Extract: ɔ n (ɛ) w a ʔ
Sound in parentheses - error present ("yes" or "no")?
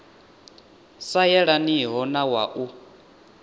yes